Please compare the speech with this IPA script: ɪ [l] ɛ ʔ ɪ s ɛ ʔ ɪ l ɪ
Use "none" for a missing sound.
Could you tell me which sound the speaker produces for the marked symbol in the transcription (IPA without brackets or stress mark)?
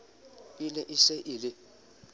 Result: l